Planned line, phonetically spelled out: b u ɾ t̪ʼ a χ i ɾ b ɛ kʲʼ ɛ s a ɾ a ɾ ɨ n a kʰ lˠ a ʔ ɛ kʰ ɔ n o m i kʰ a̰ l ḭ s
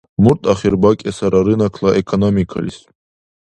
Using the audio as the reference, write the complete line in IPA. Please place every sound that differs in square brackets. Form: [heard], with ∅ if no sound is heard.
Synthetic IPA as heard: [m] u ɾ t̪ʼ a χ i ɾ b [a] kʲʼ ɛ s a ɾ a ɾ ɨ n a kʰ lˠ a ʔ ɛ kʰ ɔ n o m i kʰ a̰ l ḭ s